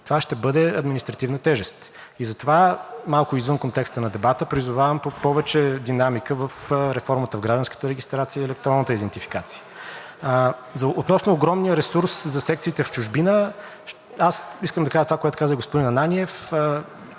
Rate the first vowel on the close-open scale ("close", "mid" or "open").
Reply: mid